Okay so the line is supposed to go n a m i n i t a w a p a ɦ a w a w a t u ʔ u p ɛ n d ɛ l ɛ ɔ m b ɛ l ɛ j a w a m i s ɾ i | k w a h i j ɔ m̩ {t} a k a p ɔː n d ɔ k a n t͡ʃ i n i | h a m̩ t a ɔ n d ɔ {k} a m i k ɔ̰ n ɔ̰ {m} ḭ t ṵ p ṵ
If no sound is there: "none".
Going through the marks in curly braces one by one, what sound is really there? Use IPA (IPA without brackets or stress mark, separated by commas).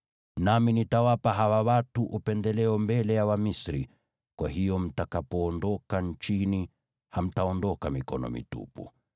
t, k, m